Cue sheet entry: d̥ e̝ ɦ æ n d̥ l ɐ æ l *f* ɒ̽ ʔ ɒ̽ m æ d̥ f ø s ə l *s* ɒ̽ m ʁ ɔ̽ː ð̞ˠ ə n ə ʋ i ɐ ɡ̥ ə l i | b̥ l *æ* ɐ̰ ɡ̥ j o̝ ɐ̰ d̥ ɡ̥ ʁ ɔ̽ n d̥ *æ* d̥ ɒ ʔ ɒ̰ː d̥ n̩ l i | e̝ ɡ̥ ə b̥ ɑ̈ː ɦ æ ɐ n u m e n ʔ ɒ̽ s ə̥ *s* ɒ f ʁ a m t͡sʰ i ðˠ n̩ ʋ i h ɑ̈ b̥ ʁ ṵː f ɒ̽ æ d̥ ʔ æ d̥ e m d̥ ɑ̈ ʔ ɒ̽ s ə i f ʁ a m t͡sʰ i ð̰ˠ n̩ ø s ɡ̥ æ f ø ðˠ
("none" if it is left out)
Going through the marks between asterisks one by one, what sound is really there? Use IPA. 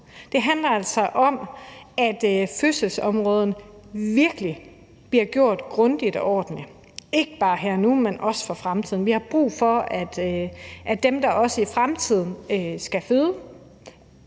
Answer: s, s, i, i, f

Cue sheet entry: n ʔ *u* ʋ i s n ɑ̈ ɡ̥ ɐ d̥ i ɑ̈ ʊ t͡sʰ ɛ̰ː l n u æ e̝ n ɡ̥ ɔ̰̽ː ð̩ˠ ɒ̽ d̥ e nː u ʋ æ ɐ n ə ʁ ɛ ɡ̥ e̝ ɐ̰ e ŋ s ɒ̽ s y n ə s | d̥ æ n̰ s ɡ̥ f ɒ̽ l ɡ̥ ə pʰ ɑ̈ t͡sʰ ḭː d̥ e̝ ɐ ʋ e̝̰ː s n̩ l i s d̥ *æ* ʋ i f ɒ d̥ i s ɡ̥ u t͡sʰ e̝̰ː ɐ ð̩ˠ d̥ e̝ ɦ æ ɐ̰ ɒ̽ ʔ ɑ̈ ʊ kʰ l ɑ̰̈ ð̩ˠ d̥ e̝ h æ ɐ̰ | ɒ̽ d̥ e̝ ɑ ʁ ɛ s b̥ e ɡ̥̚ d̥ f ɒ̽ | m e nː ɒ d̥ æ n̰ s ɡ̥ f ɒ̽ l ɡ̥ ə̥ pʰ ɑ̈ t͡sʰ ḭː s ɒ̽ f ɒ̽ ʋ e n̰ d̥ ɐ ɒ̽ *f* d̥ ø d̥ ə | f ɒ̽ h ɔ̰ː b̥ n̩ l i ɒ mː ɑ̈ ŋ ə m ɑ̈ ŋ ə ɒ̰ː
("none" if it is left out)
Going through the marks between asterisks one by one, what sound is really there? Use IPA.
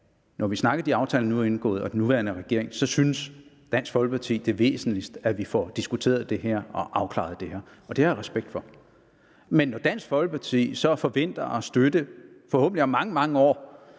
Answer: ɒ, æ, s

